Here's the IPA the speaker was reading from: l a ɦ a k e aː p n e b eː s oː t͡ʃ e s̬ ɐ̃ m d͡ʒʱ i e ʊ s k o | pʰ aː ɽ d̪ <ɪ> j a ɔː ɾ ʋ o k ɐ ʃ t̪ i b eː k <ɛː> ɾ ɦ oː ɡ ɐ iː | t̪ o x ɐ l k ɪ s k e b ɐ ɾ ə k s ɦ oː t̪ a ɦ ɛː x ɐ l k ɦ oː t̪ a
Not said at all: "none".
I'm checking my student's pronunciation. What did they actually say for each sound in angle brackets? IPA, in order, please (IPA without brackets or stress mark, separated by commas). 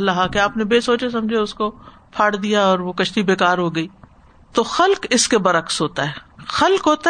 i, aː